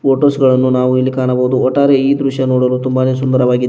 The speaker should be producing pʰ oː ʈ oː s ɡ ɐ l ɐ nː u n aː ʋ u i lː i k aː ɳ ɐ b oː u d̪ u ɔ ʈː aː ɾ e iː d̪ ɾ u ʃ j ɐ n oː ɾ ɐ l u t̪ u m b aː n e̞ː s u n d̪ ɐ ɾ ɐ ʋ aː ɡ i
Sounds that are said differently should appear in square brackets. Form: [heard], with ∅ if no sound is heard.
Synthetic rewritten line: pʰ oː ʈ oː s ɡ ɐ [ɭ] ɐ nː u n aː ʋ u i lː i k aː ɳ ɐ b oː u d̪ u ɔ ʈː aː ɾ e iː d̪ ɾ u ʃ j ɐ n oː [ɽ] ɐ l u t̪ u m b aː n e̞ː s u n d̪ ɐ ɾ ɐ ʋ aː ɡ i